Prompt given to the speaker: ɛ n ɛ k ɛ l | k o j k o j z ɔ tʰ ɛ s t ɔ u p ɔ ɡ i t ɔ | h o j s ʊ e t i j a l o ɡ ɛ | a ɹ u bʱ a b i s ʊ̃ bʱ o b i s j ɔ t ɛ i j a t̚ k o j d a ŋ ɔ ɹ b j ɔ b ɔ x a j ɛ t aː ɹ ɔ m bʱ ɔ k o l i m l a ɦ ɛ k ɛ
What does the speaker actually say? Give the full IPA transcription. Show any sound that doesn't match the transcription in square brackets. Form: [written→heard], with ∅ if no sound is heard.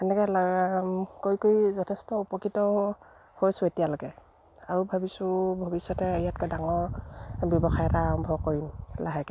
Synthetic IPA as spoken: ɛ n ɛ k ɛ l | k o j k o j z ɔ tʰ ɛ s t ɔ u p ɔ [ɡ→k] i t ɔ | h o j s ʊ e t i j a l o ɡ ɛ | a ɹ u bʱ a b i s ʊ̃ bʱ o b i s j ɔ t ɛ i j a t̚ k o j d a ŋ ɔ ɹ b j ɔ b ɔ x a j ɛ t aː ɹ ɔ m bʱ ɔ k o [l→ɹ] i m l a ɦ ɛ k ɛ